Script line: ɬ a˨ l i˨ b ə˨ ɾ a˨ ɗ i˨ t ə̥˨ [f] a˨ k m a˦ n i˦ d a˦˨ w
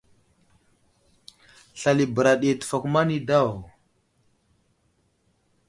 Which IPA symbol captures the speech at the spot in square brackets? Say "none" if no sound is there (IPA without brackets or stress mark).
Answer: f